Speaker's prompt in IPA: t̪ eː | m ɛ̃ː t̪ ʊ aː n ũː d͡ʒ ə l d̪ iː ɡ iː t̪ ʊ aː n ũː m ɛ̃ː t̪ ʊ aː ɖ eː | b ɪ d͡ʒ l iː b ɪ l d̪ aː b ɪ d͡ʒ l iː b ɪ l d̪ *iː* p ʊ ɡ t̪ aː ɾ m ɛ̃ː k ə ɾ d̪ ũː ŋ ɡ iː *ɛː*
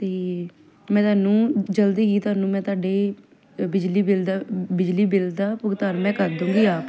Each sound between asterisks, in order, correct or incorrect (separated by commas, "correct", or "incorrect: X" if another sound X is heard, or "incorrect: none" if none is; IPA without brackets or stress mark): incorrect: aː, incorrect: aː